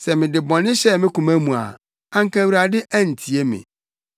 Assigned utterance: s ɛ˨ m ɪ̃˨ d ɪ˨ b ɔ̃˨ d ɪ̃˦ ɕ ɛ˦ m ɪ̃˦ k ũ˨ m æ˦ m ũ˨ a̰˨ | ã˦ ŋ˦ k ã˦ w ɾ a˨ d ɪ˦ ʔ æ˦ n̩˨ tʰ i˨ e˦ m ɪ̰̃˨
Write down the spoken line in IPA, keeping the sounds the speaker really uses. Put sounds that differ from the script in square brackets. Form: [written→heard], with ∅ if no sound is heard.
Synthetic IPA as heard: s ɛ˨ m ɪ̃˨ d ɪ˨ b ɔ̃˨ [d→n] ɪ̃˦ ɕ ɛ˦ m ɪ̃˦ k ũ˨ m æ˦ m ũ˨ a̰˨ | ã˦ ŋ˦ k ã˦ w ɾ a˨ d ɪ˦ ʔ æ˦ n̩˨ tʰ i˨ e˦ m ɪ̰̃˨